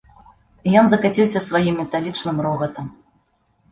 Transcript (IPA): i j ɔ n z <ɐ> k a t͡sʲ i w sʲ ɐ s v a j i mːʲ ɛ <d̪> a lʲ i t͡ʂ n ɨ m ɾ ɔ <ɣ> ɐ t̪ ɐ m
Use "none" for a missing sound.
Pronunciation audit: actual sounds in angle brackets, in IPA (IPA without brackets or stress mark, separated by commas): ɐ, t̪, ɣ